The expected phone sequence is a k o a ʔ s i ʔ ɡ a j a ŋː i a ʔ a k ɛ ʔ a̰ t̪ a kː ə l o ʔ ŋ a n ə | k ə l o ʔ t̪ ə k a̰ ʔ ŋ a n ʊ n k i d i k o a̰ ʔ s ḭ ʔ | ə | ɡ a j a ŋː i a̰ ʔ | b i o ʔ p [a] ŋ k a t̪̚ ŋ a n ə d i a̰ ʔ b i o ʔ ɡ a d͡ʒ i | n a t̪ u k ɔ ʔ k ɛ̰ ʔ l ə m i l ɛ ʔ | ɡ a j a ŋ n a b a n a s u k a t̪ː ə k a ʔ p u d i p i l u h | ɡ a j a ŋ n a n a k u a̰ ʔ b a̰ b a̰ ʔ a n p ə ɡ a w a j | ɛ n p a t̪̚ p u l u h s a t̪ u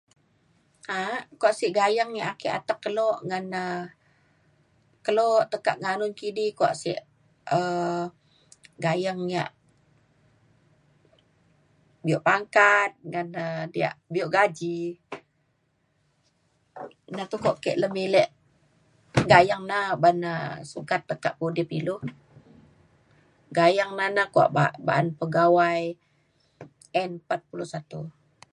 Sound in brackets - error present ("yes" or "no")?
no